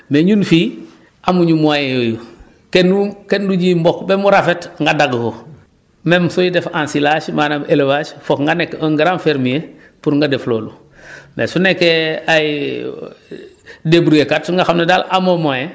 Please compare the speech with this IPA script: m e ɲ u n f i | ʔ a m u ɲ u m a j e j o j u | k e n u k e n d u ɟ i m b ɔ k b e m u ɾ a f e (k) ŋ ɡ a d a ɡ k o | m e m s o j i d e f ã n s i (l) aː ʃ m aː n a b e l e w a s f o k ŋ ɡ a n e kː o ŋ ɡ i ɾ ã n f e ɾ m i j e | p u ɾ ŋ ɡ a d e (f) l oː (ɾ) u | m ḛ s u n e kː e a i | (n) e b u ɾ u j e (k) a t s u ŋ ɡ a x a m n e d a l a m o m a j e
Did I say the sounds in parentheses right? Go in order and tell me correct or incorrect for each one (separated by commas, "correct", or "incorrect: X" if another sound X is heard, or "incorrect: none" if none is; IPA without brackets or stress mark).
incorrect: t, correct, correct, incorrect: l, incorrect: d, correct